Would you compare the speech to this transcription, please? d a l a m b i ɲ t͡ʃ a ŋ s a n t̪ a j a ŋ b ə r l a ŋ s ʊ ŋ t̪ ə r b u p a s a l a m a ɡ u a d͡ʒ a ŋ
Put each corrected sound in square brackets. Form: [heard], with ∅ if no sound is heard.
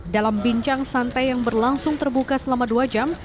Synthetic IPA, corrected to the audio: d a l a m b i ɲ t͡ʃ a ŋ s a n t̪ a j a ŋ b ə r l a ŋ s ʊ ŋ t̪ ə r b u [k] a s [ə] l a m a [d] u a d͡ʒ a [m]